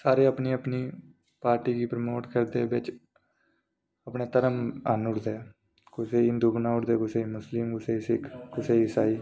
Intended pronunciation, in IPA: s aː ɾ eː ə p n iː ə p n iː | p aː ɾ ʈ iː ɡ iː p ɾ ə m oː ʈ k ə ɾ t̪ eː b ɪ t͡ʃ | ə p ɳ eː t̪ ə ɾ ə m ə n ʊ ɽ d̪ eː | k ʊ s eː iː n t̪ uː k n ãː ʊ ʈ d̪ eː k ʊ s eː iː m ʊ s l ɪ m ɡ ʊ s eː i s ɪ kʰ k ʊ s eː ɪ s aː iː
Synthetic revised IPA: s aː ɾ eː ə p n iː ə p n iː | p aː ɾ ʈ iː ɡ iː p ɾ ə m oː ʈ k ə ɾ d̪ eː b ɪ t͡ʃ | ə p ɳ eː t̪ ə ɾ ə m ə n ʊ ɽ d̪ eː | k ʊ s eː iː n d̪ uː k n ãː ʊ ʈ d̪ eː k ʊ s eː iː m ʊ s l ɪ m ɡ ʊ s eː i s ɪ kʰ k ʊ s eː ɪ s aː iː

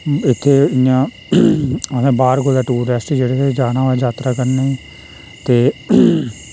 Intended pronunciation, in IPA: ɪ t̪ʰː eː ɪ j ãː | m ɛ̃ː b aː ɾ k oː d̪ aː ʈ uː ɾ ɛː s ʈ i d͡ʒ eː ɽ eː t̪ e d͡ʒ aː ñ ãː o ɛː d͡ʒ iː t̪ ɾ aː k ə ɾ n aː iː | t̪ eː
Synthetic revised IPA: ɪ t̪ʰː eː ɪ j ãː | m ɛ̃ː b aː ɾ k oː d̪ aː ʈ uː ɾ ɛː s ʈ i d͡ʒ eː ɽ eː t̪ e d͡ʒ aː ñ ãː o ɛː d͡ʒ aː t̪ ɾ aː k ə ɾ n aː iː | t̪ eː

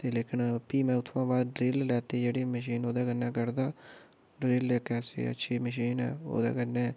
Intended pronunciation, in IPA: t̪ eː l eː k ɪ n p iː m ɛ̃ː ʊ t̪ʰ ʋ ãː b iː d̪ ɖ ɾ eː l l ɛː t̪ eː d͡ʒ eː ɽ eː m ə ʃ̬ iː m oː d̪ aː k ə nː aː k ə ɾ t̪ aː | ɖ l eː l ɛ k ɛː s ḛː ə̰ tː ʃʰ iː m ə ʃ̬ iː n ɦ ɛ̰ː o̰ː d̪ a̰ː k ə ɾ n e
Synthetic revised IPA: t̪ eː l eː k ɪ n p iː m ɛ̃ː ʊ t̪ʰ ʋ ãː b aː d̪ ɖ ɾ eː l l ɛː t̪ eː d͡ʒ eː ɽ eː m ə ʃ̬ iː n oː d̪ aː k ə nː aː k ə ɾ d̪ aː | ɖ ɾ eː l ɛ k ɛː s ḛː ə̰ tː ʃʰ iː m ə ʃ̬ iː n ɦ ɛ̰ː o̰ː d̪ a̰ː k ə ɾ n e

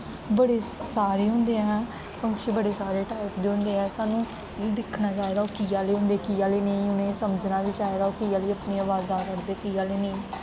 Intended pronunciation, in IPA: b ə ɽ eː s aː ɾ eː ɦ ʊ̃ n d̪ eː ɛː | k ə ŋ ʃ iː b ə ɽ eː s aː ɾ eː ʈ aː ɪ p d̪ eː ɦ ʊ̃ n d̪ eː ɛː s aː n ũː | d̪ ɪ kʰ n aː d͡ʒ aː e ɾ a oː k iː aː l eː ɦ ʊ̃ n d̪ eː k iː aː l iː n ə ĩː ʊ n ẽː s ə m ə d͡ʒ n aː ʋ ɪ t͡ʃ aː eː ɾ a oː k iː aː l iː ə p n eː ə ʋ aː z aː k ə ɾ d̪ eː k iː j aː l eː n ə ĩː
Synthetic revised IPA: b ə ɽ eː s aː ɾ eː ɦ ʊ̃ n d̪ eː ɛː | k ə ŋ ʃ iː b ə ɽ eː s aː ɾ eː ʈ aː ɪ p d̪ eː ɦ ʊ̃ n d̪ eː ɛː s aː n ũː | d̪ ɪ kʰ n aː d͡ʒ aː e ɾ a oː k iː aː l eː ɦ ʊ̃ n d̪ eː k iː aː l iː n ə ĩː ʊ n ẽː s ə m ə d͡ʒ n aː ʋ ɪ t͡ʃ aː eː ɾ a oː k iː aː l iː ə p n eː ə ʋ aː z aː k ə ɾ d̪ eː k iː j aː l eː n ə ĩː

